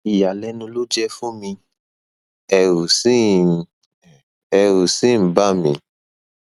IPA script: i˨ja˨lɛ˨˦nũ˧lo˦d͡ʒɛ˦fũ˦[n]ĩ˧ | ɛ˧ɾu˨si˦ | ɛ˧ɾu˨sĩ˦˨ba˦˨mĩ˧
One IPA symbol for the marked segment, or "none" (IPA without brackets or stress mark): m